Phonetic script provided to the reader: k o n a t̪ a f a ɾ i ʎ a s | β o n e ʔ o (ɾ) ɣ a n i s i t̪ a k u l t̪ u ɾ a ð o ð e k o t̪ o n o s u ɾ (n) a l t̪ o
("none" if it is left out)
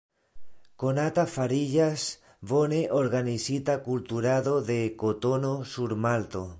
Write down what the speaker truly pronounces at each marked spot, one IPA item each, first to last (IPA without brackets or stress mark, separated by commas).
ɾ, m